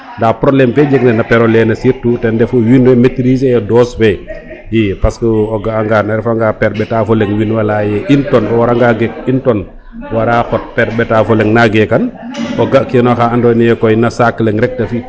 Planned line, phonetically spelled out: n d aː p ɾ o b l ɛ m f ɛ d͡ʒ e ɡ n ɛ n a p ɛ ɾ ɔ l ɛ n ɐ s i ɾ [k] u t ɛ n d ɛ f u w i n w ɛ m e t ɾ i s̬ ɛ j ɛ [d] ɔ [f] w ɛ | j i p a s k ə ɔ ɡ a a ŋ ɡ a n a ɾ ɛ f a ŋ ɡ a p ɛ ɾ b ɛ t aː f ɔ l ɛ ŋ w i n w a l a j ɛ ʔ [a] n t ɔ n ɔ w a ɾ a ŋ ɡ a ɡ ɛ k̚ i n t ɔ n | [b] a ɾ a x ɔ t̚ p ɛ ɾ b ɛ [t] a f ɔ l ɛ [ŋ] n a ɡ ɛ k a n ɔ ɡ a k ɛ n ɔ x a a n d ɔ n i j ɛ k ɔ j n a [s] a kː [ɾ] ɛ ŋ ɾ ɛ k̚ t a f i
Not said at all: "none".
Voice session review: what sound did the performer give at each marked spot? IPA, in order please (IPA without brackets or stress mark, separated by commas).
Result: t, d, s, i, w, t, ŋ, s, l